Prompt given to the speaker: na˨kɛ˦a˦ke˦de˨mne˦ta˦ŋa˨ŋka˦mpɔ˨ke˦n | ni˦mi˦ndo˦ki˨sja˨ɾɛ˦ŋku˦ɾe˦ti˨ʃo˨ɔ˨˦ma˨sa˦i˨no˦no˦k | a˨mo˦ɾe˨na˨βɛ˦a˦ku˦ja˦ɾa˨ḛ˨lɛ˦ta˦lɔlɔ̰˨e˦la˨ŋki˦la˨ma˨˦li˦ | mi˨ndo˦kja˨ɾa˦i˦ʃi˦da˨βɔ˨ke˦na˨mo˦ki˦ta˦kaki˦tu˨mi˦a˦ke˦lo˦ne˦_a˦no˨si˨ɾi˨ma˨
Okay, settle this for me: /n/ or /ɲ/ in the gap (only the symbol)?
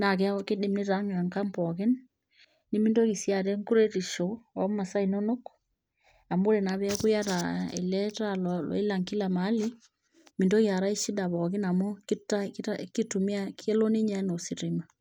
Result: ɲ